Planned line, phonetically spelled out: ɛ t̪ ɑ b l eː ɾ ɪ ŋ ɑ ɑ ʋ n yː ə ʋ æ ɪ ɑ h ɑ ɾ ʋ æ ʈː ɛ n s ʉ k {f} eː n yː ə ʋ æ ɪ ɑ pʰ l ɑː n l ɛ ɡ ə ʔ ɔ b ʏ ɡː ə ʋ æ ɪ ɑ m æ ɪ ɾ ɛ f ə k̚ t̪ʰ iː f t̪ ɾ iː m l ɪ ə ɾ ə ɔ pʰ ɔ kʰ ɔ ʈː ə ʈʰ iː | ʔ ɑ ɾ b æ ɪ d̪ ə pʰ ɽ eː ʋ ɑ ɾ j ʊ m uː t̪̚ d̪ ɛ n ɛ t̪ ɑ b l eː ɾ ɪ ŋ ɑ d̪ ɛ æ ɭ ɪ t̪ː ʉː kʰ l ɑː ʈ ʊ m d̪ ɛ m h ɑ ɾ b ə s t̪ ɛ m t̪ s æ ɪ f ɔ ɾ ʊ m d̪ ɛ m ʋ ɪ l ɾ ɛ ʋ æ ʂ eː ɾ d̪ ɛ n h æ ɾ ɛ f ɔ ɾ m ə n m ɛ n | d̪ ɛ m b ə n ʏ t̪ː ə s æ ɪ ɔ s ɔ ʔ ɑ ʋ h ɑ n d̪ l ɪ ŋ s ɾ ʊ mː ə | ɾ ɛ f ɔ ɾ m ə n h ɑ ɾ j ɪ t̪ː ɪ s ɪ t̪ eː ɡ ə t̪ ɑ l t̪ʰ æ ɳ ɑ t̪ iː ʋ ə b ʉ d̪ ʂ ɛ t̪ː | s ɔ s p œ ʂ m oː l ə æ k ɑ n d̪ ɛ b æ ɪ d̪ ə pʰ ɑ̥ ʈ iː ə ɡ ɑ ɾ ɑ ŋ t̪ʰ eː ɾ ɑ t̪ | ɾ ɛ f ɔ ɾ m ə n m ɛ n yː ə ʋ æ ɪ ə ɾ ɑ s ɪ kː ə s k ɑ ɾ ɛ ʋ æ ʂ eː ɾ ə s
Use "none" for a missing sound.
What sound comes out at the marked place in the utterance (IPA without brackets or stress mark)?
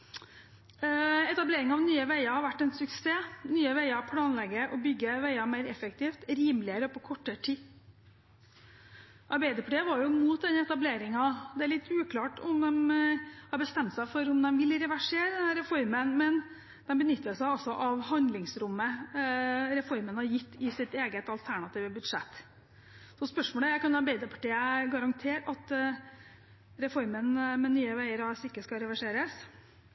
s